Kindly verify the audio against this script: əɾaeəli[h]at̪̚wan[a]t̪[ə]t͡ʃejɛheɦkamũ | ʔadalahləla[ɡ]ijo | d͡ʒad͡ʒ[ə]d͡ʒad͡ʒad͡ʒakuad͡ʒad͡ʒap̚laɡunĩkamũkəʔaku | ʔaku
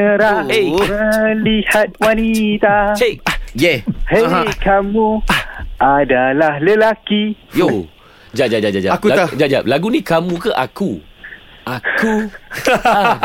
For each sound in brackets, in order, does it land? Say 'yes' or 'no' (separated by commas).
yes, no, no, no, no